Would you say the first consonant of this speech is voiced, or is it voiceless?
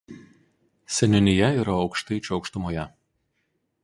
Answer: voiceless